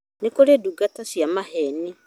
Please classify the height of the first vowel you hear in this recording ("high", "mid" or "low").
mid